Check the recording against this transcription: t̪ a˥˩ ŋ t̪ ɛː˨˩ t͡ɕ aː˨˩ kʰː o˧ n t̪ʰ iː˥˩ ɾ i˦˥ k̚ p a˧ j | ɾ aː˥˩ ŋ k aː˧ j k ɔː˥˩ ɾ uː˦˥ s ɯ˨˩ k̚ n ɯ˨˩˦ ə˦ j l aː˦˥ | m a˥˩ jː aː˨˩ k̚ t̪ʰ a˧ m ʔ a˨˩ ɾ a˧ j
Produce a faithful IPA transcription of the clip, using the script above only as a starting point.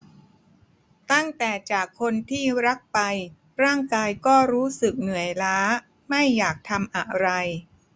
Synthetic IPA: t̪ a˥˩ ŋ t̪ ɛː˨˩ t͡ɕ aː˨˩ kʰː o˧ n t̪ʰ iː˥˩ ɾ a˦˥ k̚ p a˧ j | ɾ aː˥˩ ŋ k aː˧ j k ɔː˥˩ ɾ uː˦˥ s ɯ˨˩ k̚ n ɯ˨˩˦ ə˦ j l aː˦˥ | m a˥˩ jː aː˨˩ k̚ t̪ʰ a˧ m ʔ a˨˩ ɾ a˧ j